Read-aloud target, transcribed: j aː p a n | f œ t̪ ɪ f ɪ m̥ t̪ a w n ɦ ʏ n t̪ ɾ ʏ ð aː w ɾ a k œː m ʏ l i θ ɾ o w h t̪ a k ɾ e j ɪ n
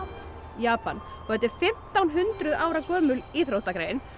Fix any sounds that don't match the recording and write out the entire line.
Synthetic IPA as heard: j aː p a n | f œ t̪ ɪ f ɪ m̥ t̪ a w n ɦ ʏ n t̪ ɾ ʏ ð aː w ɾ a k œː m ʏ l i θ ɾ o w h t̪ a k ɾ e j ɪ n